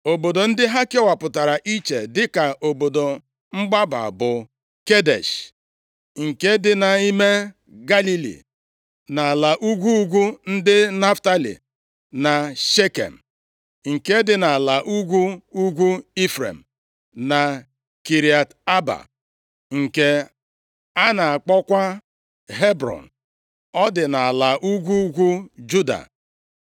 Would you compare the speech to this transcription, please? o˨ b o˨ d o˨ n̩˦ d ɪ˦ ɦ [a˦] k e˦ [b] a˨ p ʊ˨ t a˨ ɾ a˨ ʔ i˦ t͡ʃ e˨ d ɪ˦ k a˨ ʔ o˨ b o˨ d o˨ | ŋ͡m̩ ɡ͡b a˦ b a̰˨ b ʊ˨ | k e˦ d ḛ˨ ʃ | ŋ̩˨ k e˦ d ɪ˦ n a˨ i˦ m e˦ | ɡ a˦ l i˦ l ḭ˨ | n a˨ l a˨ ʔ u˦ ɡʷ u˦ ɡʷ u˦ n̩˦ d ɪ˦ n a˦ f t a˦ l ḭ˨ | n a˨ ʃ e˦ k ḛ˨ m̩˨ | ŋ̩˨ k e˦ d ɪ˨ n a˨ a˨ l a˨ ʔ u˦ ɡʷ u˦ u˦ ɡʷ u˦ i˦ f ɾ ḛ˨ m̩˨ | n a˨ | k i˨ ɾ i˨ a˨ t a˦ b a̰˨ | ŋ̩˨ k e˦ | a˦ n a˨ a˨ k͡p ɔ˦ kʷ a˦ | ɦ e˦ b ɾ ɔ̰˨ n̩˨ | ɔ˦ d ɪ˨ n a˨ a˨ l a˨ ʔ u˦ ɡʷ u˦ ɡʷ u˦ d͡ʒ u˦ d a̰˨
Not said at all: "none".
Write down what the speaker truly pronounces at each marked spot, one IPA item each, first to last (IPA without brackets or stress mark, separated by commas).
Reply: a˦, w